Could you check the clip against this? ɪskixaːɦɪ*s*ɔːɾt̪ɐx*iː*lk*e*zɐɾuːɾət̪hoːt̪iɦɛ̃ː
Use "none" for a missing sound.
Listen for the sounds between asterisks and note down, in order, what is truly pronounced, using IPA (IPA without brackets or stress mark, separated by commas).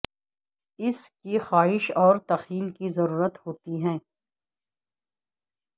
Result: ʃ, iː, i